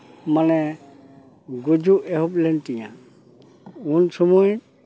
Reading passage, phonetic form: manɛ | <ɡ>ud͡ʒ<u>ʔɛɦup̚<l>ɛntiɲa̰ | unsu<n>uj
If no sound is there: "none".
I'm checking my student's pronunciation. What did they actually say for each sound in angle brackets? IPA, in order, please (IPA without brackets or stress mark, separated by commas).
ɡ, u, l, m